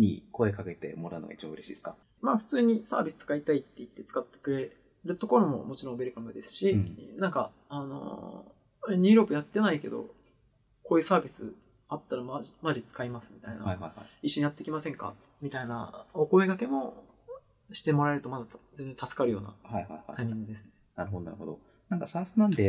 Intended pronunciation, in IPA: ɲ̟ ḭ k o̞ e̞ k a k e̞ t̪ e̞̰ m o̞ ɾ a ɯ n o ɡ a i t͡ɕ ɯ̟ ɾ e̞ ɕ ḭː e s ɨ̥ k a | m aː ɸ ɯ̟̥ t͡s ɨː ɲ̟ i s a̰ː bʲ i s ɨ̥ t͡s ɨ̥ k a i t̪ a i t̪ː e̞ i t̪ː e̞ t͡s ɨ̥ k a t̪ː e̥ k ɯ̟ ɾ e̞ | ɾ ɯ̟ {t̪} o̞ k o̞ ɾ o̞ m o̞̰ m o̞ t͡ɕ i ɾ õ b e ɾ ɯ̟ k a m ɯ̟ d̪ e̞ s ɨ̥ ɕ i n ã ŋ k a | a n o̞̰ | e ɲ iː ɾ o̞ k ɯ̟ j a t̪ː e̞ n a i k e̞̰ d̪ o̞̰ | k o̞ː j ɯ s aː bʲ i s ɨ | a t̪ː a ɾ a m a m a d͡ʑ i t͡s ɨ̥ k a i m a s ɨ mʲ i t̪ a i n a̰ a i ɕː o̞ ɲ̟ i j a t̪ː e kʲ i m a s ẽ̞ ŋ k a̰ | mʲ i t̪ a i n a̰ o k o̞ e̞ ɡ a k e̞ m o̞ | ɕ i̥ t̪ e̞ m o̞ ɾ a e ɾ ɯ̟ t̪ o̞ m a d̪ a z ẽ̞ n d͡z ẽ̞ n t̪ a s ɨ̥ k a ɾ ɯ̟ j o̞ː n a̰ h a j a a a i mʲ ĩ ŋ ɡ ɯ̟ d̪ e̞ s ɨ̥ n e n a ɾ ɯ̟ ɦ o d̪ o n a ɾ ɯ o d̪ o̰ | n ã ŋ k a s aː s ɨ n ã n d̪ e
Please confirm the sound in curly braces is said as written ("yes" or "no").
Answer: yes